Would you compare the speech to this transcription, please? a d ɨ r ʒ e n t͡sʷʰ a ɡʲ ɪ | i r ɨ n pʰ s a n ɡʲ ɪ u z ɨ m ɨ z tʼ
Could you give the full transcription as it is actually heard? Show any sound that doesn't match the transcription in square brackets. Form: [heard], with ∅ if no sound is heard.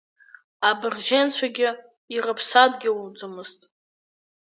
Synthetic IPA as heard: a [b] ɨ r ʒ e n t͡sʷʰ a ɡʲ ɪ | i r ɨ [∅] pʰ s a [d] ɡʲ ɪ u [d͡z] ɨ m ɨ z tʼ